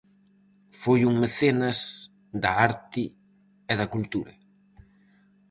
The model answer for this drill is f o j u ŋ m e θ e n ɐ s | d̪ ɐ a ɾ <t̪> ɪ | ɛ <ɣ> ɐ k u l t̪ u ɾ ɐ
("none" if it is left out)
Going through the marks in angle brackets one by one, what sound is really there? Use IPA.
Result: t̪, ð

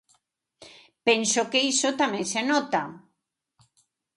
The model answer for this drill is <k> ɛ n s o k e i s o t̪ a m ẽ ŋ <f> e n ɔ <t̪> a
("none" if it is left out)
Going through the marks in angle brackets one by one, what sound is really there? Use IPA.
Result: p, s, t̪

